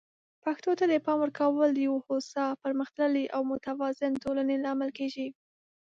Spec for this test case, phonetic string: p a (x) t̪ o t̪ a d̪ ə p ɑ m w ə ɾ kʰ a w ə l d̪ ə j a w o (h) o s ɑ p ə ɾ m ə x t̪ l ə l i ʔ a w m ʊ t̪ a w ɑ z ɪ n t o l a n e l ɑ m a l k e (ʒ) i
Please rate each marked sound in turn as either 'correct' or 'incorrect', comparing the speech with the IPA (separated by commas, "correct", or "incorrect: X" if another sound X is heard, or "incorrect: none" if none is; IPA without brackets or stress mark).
correct, correct, correct